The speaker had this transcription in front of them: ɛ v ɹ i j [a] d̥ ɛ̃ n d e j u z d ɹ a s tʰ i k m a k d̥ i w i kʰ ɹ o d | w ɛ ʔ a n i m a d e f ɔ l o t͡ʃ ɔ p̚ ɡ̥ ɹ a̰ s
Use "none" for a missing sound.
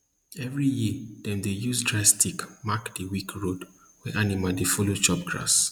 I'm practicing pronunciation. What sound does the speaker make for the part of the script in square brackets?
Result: i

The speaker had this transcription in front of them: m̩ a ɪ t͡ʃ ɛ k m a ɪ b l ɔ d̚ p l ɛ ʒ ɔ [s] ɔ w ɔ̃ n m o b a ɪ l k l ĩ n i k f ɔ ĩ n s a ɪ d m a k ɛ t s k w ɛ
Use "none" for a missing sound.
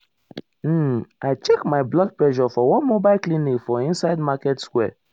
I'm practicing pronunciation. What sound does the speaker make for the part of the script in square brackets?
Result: f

